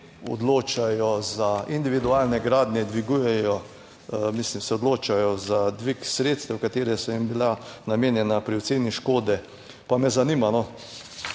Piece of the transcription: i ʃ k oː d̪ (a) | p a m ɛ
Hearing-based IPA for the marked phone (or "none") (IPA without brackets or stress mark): ɛ